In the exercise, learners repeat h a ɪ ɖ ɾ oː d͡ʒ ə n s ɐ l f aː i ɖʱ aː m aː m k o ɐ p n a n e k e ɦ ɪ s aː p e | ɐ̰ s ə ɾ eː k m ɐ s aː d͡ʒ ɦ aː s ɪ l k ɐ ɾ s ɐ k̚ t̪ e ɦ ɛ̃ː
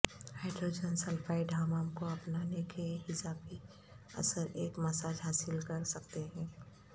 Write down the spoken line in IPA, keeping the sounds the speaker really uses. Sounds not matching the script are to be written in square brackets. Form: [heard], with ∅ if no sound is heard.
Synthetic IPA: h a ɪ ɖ ɾ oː d͡ʒ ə n s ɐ l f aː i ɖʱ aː m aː m k o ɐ p n a n e k e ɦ ɪ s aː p [i] | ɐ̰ s ə ɾ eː k m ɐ s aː d͡ʒ ɦ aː s ɪ l k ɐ ɾ s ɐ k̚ t̪ e ɦ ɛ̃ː